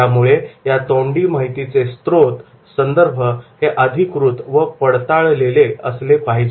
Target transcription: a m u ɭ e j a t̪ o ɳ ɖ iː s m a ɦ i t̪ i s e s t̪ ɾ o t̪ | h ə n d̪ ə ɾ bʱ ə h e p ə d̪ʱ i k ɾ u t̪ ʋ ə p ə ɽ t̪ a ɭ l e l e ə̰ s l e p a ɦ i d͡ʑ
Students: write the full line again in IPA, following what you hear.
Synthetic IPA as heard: a m u ɭ e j a t̪ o ɳ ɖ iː m a ɦ i t̪ i t͡s e s t̪ ɾ o t̪ | s ə n d̪ ə ɾ bʱ ə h e ʔ ə d̪ʱ i k ɾ u t̪ ʋ ə p ə ɽ t̪ a ɭ l e l e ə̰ s l e p a ɦ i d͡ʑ